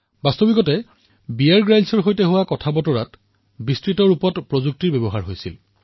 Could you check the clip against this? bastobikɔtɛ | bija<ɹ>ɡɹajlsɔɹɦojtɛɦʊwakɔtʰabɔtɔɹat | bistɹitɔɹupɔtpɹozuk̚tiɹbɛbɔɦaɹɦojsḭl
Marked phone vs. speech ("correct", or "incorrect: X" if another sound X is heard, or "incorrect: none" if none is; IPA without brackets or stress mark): correct